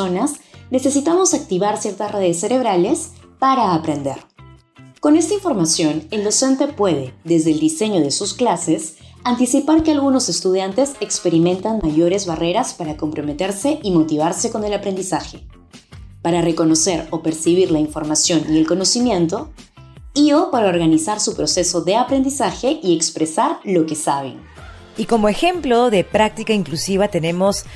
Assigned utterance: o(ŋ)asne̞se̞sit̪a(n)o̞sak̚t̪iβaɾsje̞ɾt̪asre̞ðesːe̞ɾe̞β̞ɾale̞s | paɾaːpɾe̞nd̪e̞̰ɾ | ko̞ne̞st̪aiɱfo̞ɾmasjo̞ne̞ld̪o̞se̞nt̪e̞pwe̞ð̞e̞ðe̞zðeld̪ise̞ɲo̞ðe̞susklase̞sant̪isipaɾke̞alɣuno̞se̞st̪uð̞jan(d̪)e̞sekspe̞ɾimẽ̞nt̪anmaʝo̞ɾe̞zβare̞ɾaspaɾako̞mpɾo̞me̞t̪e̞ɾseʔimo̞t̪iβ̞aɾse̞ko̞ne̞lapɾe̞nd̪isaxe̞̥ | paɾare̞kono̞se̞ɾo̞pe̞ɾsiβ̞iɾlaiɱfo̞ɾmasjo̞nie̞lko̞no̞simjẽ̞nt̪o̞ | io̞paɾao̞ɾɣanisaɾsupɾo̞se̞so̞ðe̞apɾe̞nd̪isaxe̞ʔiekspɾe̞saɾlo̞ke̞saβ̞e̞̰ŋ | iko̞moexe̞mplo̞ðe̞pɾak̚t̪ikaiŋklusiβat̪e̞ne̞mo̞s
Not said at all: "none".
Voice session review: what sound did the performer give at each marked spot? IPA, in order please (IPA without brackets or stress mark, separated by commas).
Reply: n, m, t̪